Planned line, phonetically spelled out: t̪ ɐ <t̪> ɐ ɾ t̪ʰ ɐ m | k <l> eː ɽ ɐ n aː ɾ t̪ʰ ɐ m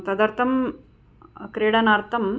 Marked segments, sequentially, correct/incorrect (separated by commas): incorrect, incorrect